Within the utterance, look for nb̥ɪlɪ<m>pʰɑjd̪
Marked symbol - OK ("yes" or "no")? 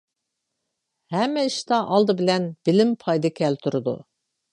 yes